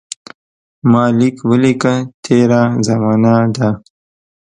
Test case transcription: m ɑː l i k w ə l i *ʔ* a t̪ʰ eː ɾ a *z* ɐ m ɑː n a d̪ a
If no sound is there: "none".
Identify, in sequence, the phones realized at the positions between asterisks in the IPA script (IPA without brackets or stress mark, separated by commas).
k, z